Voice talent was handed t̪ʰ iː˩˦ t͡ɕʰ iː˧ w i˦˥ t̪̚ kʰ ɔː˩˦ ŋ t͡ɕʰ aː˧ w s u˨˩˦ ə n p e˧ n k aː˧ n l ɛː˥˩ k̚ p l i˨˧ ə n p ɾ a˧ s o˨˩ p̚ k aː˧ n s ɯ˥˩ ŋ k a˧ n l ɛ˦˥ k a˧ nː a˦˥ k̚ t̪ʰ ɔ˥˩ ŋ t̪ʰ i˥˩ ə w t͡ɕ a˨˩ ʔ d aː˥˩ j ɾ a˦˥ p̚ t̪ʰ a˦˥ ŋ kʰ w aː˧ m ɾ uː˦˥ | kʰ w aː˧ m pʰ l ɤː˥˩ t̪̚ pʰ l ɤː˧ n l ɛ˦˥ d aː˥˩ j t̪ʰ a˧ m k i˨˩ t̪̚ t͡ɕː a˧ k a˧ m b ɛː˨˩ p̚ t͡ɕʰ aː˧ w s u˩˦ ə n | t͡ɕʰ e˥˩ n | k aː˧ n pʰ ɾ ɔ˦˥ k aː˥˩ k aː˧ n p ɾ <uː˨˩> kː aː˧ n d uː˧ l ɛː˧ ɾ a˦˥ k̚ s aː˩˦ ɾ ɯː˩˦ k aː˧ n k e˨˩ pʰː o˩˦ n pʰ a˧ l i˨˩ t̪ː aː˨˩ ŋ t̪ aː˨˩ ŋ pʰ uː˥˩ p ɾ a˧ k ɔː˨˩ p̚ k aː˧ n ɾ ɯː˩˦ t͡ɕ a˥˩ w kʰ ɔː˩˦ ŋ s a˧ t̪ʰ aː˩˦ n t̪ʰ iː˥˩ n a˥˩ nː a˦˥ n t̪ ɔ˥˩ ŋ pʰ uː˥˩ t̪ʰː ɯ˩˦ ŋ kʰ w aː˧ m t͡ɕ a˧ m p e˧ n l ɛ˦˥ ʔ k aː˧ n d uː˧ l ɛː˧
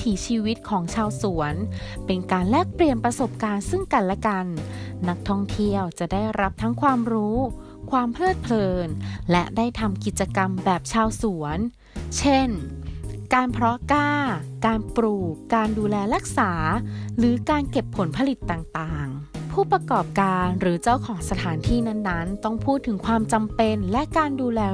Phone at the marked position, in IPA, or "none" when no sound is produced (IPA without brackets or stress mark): uː˨˩